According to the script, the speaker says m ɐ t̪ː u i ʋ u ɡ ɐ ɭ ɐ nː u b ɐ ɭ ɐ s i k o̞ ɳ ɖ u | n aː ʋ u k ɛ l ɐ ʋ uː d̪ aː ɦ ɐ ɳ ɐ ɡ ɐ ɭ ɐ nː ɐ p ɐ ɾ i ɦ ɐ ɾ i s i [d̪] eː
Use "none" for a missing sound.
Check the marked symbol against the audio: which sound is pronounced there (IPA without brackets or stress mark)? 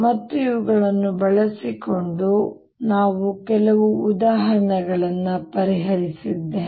d̪ː